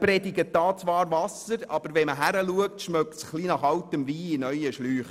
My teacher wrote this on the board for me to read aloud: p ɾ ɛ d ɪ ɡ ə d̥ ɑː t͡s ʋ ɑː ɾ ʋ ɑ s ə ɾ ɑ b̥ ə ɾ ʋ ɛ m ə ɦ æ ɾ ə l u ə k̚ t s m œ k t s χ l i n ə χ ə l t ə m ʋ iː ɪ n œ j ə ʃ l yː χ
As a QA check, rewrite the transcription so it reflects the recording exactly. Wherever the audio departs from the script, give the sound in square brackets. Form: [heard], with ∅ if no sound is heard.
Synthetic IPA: p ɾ ɛ d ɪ ɡ ə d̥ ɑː t͡s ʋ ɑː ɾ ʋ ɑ s ə ɾ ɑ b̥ ə ɾ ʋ ɛ m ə ɦ æ ɾ ə l u ə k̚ t [ʃ] m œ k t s χ l i n [ɑ] χ [ɑ] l t ə m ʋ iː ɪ n œ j ə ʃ l yː χ